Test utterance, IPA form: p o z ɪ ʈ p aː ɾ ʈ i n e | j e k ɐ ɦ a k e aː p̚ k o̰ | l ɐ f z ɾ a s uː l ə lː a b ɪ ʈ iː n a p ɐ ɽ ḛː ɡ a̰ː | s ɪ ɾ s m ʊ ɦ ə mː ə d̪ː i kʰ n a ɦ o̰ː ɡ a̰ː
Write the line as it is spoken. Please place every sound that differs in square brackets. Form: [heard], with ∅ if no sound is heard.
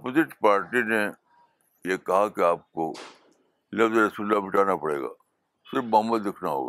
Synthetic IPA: p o z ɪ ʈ p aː ɾ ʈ i n e | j e k ɐ ɦ a k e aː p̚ k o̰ | l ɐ f z ɾ [ɐ] s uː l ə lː a b ɪ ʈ [aː] n a p ɐ ɽ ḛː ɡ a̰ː | s ɪ ɾ [f] m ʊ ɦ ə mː ə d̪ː [ɪ] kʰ n a ɦ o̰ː ɡ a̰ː